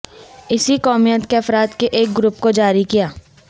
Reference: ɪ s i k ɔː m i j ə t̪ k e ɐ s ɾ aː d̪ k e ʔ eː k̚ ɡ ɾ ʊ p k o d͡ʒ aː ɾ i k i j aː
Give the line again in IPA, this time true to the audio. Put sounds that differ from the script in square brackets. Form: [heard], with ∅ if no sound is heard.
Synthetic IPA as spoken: ɪ s i k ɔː m i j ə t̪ k e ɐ [f] ɾ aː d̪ k e ʔ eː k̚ ɡ ɾ ʊ p k o d͡ʒ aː ɾ i k i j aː